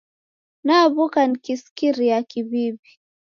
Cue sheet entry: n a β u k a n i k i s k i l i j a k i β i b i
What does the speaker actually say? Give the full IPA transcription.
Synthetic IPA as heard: n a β u k a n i k i s k i ɾ i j a k i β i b i